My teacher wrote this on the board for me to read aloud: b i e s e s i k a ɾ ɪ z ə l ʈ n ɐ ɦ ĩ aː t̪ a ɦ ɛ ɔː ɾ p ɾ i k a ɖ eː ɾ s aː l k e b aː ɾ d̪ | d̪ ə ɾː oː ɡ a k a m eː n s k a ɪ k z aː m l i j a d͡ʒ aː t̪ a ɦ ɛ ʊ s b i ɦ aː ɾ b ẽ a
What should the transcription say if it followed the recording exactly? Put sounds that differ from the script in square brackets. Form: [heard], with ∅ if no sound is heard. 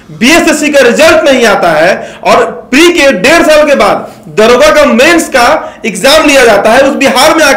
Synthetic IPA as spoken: b i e s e s i k a ɾ ɪ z ə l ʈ n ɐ ɦ ĩ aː t̪ a ɦ ɛ ɔː ɾ p ɾ i k [e] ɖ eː ɾ s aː l k e b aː [∅] d̪ | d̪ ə [ɾ] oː ɡ a k a m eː n s k a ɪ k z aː m l i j a d͡ʒ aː t̪ a ɦ ɛ ʊ s b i ɦ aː ɾ [m] ẽ a